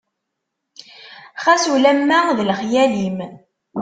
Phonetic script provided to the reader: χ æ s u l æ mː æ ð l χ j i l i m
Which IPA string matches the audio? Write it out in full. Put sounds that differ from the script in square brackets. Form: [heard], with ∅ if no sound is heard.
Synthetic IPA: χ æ s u l æ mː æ ð l χ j [æ] l i m